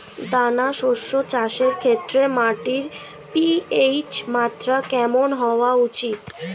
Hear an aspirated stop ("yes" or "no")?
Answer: yes